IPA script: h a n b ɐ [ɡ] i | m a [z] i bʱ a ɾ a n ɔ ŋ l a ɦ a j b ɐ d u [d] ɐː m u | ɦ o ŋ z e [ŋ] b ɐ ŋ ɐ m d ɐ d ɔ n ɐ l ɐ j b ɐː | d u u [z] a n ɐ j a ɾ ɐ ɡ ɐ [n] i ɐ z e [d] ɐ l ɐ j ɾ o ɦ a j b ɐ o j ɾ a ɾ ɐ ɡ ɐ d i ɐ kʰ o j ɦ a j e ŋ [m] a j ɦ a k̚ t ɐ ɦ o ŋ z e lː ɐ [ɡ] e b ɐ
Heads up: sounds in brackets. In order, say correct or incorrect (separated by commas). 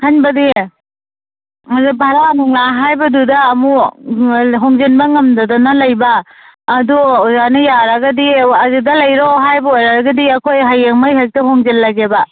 incorrect, correct, correct, incorrect, correct, incorrect, correct, correct, correct